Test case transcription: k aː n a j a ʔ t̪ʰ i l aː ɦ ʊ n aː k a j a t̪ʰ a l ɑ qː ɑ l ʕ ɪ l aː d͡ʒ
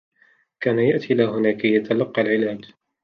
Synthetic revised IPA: k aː n a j a ʔ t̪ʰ i l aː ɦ ʊ n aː k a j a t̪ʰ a l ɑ qː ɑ l ʕ ɪ l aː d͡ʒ